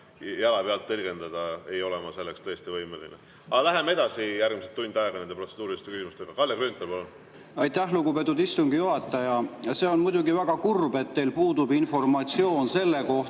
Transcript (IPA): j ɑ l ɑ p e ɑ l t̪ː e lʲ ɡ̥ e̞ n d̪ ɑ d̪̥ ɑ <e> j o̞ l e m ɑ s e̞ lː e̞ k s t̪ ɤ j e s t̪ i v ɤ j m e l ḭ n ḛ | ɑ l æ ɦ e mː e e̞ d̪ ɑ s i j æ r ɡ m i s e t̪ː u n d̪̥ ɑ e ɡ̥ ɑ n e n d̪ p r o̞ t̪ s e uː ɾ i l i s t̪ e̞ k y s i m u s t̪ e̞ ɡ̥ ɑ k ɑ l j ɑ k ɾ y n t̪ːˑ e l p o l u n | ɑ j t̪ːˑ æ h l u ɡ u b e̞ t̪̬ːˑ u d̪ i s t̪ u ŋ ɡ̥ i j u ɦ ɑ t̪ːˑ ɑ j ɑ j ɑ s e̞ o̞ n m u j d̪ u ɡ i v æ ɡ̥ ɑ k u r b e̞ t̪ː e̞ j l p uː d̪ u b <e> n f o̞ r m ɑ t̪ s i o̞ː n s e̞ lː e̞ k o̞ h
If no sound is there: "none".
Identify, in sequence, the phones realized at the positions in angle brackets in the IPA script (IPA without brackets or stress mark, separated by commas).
e, i